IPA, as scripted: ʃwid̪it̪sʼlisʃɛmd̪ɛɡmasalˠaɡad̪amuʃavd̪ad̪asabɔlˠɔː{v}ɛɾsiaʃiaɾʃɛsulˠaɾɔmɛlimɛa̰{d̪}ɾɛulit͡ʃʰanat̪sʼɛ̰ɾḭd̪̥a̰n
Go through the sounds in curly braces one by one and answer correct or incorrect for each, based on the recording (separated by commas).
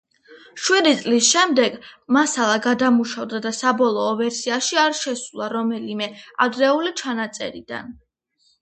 correct, correct